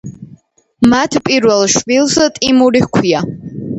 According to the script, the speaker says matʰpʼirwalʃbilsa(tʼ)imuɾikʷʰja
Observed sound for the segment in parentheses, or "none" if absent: tʼ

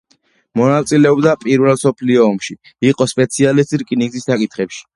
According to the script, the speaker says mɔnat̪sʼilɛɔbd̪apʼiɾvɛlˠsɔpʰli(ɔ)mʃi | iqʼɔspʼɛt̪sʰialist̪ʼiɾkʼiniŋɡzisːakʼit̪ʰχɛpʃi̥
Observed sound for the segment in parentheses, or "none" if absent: ɔː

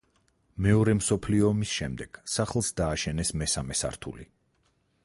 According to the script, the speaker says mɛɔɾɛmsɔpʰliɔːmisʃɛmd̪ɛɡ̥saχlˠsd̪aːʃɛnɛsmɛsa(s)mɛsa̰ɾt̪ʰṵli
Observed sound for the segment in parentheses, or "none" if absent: none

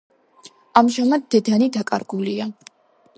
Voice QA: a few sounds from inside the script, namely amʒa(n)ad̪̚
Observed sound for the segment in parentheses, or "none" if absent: m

